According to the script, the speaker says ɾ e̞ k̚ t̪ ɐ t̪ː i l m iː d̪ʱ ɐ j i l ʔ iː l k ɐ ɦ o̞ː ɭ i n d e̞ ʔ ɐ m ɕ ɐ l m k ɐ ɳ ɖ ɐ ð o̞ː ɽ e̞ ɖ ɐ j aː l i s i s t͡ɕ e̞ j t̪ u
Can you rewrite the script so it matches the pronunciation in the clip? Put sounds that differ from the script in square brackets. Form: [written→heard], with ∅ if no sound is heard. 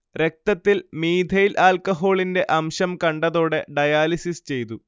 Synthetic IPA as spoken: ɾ e̞ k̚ t̪ ɐ t̪ː i l m iː d̪ʱ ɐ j i l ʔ [iː→aː] l k ɐ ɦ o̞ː ɭ i n d e̞ ʔ ɐ m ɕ ɐ [l→∅] m k ɐ ɳ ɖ ɐ ð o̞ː ɽ e̞ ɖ ɐ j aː l i s i s t͡ɕ e̞ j t̪ u